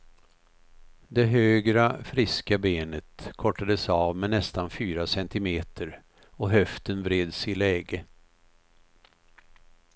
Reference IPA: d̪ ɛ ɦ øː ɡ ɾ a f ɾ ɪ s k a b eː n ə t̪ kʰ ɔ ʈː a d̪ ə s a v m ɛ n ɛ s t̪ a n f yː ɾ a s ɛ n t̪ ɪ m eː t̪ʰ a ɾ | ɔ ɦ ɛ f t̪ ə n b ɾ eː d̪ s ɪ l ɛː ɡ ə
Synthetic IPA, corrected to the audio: d̪ ɛ ɦ øː ɡ ɾ a f ɾ ɪ s k a b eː n ə t̪ kʰ ɔ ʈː a d̪ ə s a v m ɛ n ɛ s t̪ a n f yː ɾ a s ɛ n t̪ ɪ m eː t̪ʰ ə ɾ | ɔ ɦ œ f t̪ ə n v ɾ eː d̪ s ɪ l ɛː ɡ ə